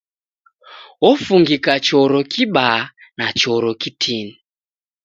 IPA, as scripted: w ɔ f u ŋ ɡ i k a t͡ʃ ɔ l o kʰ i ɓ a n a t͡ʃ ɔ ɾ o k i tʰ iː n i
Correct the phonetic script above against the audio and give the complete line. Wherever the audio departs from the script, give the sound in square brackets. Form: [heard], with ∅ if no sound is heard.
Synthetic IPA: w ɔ f u ŋ ɡ i k a t͡ʃ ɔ [ɾ] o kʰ i ɓ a n a t͡ʃ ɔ ɾ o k i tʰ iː n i